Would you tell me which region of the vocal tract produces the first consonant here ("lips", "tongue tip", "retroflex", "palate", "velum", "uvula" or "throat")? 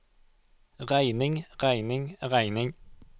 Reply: uvula